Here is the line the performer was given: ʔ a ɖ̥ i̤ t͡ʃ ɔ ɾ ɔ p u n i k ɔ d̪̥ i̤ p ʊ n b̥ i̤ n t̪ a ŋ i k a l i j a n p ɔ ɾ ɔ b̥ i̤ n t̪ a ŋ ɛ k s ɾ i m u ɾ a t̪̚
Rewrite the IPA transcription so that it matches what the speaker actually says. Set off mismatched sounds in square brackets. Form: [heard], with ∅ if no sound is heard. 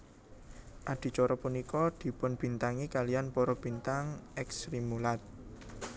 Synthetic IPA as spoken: ʔ a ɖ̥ i̤ t͡ʃ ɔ ɾ ɔ p u n i k ɔ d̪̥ i̤ p ʊ n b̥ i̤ n t̪ a ŋ i k a l i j a n p ɔ ɾ ɔ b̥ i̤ n t̪ a ŋ ɛ k s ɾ i m u [l] a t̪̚